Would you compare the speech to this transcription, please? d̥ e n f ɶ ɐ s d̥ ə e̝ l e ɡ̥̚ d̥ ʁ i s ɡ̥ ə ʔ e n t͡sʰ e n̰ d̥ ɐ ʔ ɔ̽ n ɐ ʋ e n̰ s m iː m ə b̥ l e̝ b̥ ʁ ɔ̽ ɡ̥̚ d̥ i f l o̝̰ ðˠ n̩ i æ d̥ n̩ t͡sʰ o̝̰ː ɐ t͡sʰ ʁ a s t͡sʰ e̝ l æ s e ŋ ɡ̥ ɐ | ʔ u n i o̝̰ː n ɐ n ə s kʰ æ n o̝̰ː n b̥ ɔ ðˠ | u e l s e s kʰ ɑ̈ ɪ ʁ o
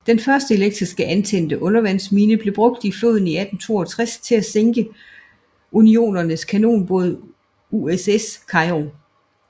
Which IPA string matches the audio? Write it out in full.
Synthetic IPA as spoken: d̥ e n f ɶ ɐ s d̥ ə e̝ l e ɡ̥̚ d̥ ʁ i s ɡ̥ ə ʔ æ n t͡sʰ e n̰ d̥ ə ʔ ɔ̽ n ɐ ʋ æ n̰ s m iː n ə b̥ l e̝ b̥ ʁ ɔ̽ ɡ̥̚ d̥ i f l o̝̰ ðˠ n̩ i æ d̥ n̩ t͡sʰ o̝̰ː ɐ t͡sʰ ʁ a s t͡sʰ e̝ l æ s e ŋ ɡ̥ ə | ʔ u n i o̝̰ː n ɐ n ə s kʰ æ n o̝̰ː n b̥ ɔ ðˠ | u e s e s kʰ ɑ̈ ɪ ʁ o